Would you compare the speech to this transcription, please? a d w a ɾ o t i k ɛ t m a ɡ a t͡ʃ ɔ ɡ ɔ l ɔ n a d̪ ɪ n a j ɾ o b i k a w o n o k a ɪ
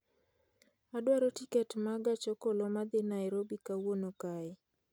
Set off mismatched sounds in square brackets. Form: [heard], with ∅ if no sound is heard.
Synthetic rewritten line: a d w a ɾ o t i k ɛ t m a ɡ a t͡ʃ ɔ [k] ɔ l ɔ [m] a d̪ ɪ n a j ɾ o b i k a w o n o k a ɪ